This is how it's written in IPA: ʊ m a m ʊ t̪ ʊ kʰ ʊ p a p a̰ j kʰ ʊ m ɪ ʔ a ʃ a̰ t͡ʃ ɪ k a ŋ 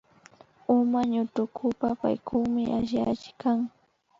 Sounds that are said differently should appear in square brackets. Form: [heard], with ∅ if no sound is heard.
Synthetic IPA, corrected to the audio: ʊ m a [ɲ] ʊ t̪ ʊ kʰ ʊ p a p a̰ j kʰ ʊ m ɪ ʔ a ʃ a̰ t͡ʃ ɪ k a ŋ